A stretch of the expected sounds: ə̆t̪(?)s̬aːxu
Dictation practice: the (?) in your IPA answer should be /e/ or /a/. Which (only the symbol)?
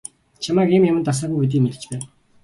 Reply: a